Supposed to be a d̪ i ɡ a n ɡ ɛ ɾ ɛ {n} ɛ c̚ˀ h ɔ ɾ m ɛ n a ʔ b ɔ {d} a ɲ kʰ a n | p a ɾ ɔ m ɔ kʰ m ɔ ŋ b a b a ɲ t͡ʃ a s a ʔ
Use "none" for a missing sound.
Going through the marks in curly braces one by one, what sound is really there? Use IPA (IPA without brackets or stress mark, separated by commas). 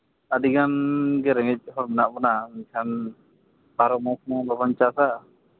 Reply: ŋ, n